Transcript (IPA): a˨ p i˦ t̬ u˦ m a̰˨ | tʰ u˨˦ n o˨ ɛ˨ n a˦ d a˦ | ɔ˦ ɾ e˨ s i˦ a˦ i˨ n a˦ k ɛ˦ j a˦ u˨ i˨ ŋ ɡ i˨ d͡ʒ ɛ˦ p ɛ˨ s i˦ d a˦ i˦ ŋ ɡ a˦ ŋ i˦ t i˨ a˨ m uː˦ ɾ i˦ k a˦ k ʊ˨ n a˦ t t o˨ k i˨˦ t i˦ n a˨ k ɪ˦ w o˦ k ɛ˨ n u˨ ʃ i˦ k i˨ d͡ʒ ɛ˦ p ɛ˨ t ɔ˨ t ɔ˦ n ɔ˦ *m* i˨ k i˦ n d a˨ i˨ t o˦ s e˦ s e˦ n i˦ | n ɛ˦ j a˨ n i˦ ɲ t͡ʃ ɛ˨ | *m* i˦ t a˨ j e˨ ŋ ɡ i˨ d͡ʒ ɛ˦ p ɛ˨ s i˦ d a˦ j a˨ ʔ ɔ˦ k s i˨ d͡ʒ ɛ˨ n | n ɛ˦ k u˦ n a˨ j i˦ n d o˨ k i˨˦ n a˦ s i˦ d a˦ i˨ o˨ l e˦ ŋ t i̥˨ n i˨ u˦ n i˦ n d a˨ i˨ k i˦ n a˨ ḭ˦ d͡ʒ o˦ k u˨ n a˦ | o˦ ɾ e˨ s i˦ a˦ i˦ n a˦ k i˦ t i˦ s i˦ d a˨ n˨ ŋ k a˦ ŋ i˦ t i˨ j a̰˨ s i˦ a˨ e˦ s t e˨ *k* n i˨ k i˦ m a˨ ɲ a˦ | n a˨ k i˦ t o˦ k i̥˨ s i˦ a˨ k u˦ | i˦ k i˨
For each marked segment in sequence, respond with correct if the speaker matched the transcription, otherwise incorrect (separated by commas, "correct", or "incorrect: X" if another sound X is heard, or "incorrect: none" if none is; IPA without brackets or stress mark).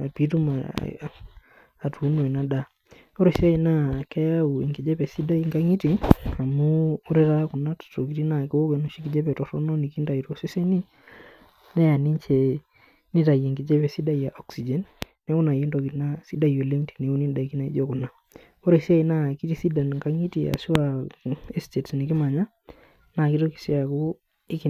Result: incorrect: n, incorrect: n, incorrect: t